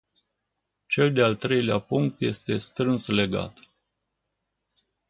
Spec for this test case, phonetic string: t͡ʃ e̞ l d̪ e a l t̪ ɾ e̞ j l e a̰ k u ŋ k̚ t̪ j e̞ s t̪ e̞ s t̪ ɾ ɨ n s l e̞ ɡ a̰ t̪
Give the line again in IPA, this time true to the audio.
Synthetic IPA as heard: t͡ʃ e̞ l d̪ e a l t̪ ɾ e̞ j l e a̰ p u ŋ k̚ t̪ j e̞ s t̪ e̞ s t̪ ɾ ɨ n s l e̞ ɡ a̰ t̪